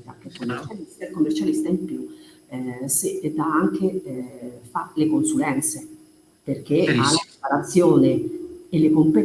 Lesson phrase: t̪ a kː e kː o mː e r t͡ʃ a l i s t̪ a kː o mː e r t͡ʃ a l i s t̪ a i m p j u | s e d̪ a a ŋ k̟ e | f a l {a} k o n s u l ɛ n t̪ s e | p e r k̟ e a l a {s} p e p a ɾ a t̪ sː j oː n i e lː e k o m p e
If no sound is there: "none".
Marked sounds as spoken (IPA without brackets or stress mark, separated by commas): e, none